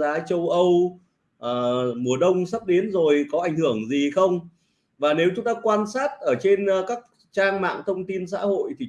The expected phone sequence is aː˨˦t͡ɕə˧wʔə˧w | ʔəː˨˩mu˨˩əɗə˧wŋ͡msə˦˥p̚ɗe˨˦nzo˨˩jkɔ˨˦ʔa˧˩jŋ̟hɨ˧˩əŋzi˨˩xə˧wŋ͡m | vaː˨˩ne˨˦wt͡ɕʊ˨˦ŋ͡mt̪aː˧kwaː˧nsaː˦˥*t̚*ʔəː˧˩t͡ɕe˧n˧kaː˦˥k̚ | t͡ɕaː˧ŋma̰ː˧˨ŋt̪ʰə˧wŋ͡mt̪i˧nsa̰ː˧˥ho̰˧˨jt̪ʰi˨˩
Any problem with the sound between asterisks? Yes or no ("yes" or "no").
no